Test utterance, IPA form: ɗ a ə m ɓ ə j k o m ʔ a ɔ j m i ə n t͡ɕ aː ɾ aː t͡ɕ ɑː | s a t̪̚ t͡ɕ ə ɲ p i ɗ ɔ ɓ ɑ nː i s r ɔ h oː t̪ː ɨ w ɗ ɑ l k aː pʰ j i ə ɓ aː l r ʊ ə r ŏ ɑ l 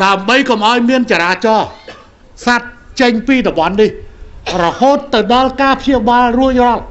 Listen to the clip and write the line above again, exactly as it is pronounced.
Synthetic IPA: ɗ a ə m ɓ ə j k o m ʔ a ɔ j m i ə n t͡ɕ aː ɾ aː t͡ɕ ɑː | s a t̪̚ t͡ɕ ə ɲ p iː ɗ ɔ ɓ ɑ nː i h r ɔ h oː t̪ː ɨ w ɗ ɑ l k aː pʰ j i ə ɓ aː l r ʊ ə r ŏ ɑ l